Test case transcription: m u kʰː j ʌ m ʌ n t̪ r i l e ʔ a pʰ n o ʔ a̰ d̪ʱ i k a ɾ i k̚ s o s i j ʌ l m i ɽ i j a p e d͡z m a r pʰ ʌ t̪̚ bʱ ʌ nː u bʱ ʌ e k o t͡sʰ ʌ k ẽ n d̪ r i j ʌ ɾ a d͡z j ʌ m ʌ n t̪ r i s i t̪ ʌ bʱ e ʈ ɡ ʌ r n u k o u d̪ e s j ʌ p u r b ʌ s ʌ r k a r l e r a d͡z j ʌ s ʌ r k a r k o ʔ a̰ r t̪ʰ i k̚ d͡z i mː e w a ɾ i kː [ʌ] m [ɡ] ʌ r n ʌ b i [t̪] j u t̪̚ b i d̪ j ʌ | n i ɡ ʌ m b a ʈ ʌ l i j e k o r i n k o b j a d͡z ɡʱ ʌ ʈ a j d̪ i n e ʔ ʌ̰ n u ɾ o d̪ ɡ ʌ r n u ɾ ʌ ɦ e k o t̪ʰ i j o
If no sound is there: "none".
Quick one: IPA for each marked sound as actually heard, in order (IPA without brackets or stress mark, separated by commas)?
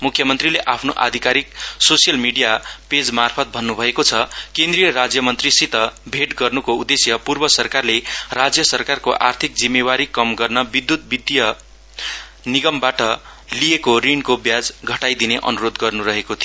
ʌ, ɡ, d̪